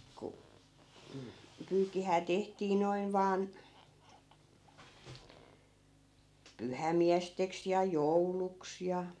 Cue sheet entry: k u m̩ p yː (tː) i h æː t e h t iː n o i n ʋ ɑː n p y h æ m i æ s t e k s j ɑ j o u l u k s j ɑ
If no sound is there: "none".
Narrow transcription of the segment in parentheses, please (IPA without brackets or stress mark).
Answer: kː